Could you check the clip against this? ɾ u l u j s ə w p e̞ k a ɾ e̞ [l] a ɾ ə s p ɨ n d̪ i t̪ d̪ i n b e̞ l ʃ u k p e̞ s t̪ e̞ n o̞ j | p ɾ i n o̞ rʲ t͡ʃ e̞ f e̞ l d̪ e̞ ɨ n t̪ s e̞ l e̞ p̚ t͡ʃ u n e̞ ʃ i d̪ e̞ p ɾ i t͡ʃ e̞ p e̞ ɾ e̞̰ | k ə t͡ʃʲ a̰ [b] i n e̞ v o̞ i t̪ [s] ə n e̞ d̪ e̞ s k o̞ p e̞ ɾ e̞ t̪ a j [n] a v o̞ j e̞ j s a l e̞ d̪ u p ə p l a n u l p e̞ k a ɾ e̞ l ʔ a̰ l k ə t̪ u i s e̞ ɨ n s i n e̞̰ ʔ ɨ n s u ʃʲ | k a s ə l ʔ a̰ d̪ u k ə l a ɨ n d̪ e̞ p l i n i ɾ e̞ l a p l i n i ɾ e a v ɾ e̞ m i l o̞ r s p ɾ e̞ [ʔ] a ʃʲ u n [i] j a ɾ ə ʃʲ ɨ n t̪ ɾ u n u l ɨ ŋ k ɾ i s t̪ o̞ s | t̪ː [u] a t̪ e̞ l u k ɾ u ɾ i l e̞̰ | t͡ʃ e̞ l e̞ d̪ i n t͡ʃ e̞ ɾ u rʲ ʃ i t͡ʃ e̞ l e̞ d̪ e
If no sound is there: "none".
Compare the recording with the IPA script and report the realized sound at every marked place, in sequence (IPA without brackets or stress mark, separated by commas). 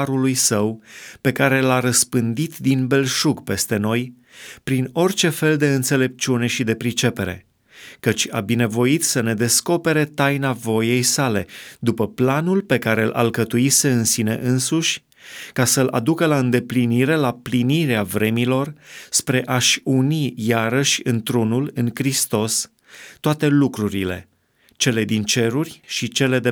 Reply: l, b, s, n, ʔ, i, o